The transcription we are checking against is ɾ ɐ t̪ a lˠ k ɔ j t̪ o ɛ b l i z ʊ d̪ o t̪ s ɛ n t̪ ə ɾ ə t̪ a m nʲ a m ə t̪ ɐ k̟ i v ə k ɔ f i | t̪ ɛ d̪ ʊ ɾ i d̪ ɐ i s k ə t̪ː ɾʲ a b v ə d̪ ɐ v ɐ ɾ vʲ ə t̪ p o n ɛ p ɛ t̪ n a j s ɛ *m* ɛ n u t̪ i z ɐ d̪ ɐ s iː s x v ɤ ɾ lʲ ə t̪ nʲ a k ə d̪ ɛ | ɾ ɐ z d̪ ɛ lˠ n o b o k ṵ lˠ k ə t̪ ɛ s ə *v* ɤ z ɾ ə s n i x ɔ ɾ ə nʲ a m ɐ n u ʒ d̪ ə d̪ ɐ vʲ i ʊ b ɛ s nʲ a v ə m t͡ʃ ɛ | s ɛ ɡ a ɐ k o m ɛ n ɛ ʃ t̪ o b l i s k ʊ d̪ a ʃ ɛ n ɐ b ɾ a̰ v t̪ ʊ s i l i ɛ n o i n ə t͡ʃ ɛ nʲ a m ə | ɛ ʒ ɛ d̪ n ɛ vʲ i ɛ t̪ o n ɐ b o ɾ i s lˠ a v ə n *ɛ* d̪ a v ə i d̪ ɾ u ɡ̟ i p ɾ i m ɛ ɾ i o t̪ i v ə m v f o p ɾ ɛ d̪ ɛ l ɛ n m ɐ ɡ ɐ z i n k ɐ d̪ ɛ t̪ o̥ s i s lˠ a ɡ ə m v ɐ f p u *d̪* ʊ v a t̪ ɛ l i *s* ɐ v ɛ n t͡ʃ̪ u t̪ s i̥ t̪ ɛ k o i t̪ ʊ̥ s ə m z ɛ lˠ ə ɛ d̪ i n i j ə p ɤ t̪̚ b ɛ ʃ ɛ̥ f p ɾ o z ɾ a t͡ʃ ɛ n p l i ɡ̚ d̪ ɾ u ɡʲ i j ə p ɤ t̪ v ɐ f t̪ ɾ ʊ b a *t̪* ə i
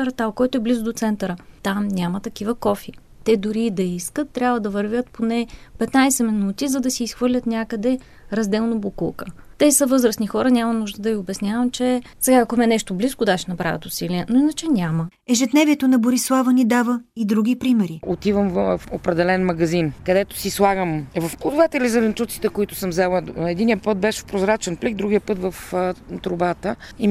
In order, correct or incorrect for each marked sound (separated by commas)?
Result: correct, correct, incorrect, correct, incorrect, correct